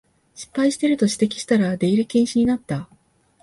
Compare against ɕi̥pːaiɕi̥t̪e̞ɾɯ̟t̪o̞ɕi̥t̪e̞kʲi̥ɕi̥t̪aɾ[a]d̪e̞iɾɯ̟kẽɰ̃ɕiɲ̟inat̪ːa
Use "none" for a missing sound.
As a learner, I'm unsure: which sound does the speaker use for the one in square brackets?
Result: a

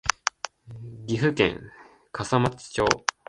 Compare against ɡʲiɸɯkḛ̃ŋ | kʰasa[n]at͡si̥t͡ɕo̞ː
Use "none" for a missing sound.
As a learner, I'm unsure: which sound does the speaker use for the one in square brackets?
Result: m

